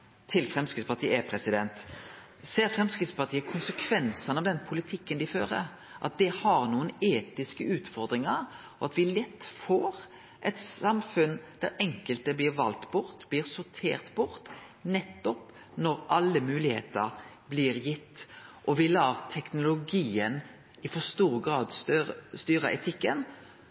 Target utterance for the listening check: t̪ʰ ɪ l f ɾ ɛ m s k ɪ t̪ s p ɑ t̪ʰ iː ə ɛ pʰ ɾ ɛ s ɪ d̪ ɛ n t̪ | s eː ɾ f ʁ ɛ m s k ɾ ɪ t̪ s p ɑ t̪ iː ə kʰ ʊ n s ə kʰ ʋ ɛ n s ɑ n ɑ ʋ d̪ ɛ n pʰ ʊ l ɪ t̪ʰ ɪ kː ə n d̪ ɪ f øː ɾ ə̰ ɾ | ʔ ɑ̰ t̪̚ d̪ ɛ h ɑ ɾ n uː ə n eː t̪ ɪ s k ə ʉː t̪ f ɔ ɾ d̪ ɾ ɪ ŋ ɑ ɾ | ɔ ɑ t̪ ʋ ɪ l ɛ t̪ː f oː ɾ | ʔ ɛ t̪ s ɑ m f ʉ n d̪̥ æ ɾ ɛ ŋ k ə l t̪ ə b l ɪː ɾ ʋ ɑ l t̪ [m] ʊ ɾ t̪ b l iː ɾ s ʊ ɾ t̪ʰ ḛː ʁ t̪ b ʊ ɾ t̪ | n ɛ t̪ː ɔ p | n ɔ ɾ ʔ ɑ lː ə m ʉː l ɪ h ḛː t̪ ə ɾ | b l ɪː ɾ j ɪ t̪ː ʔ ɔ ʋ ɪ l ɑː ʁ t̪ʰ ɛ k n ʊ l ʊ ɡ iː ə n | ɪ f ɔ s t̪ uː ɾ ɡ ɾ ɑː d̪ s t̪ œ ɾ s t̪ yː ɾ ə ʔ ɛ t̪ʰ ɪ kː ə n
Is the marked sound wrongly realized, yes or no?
yes